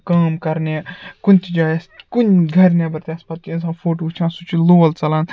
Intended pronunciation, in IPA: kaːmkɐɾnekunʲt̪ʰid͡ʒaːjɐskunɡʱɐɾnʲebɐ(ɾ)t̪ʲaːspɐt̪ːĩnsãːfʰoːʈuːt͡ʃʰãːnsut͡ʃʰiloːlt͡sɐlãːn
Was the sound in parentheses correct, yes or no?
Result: yes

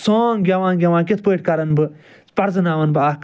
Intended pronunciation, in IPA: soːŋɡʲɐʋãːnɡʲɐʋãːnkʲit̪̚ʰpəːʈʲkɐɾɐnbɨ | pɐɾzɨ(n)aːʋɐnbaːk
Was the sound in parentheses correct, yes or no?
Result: yes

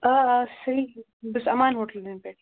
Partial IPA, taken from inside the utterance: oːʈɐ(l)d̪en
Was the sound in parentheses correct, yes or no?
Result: yes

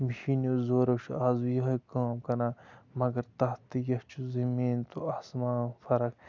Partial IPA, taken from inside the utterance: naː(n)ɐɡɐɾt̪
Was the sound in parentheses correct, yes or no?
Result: no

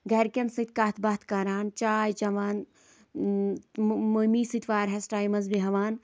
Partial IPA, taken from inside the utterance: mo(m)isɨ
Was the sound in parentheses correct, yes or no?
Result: yes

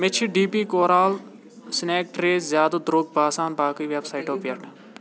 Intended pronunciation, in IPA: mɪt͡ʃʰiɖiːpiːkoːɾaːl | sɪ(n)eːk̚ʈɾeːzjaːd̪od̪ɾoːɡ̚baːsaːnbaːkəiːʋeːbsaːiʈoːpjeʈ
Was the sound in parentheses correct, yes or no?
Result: yes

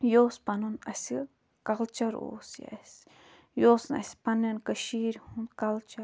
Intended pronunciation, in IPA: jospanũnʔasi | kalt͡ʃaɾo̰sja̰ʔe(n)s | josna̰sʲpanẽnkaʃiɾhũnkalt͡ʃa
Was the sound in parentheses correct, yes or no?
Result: no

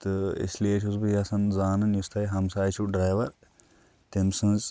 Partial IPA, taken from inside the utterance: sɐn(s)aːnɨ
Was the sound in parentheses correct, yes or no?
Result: no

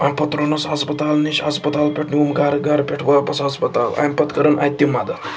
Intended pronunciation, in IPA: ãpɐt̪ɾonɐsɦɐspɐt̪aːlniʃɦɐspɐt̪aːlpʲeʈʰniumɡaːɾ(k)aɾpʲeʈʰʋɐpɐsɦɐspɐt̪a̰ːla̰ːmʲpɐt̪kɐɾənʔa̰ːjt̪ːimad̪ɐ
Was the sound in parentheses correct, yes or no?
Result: no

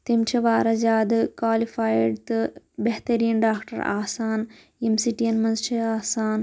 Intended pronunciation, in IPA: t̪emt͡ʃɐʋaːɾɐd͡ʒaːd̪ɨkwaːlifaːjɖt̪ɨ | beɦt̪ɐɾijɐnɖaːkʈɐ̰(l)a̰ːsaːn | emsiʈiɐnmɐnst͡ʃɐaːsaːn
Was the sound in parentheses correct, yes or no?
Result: no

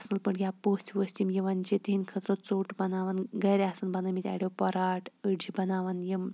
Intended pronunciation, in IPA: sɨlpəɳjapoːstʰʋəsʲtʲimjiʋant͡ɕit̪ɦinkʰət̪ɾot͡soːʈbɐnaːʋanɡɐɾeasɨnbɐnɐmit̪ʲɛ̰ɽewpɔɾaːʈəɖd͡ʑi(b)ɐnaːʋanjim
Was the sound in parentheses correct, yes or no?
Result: yes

